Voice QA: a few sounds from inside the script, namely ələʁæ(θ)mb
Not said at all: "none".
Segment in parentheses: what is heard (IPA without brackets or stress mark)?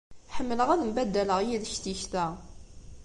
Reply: ð